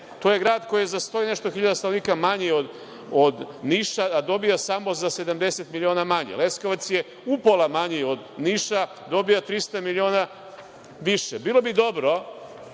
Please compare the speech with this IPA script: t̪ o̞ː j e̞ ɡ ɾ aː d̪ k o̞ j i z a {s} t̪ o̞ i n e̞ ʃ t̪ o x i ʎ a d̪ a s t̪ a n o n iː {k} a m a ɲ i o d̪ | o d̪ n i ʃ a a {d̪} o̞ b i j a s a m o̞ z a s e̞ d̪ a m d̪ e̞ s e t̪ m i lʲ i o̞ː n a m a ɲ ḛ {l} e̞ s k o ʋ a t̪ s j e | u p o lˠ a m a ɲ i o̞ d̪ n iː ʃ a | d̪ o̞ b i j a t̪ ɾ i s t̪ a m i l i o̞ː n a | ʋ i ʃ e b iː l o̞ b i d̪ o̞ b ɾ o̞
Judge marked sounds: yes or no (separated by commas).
yes, yes, yes, yes